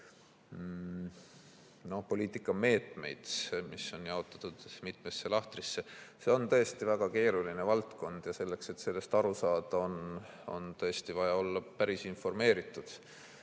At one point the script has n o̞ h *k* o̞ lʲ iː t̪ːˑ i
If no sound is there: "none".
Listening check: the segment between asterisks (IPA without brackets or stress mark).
p